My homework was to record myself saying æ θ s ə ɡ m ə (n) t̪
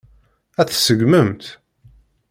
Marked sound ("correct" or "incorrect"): incorrect